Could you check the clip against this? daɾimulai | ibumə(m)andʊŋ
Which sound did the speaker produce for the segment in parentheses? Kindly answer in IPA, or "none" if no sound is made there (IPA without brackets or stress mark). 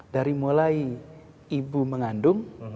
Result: ŋ